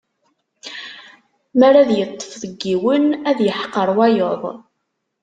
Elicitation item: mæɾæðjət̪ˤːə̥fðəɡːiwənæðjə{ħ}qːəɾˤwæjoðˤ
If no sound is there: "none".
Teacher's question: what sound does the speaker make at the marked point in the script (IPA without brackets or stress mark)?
ħ